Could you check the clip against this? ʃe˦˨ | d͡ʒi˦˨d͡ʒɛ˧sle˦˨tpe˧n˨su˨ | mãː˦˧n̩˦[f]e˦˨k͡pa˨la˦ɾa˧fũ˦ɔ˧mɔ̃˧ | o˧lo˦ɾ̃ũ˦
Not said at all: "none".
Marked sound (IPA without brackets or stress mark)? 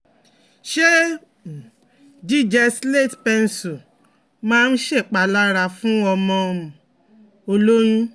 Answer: ʃ